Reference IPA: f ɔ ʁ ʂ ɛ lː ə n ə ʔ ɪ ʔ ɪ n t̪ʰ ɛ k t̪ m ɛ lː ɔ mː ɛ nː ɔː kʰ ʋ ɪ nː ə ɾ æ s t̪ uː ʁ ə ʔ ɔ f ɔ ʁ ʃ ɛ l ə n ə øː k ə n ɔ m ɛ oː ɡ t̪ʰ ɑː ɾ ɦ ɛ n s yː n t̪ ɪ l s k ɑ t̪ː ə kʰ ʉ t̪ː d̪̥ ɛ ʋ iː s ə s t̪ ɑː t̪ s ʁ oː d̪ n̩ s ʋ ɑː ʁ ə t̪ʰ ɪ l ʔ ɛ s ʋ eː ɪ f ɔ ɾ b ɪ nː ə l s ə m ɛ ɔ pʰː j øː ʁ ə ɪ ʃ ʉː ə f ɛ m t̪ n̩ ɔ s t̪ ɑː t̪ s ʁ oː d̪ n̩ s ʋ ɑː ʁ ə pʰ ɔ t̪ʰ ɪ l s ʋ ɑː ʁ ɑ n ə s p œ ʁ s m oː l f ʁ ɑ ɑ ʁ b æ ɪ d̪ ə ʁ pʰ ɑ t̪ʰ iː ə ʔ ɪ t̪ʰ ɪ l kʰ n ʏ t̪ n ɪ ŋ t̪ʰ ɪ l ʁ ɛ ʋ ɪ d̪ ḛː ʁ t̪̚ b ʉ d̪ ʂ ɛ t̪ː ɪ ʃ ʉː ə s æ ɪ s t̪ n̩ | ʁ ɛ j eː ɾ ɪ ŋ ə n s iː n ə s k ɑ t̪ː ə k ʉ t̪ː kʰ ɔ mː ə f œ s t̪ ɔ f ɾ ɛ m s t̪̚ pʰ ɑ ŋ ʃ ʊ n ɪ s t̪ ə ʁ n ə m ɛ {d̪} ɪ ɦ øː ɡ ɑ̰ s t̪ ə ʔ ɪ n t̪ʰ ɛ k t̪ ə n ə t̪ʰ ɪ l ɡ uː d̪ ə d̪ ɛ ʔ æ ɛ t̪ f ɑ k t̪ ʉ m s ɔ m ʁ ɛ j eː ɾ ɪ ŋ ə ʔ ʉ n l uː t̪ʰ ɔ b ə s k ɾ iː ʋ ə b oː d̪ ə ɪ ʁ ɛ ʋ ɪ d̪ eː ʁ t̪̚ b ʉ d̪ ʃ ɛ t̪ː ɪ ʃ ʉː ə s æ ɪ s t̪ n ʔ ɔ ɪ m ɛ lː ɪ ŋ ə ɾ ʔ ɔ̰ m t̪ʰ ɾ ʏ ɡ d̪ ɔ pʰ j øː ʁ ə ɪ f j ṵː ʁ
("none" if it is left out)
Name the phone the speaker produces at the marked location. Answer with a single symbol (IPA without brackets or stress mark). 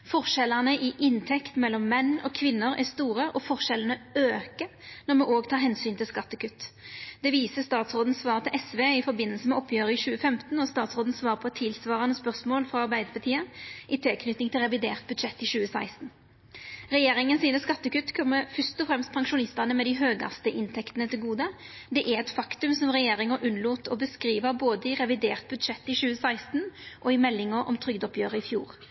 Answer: d̪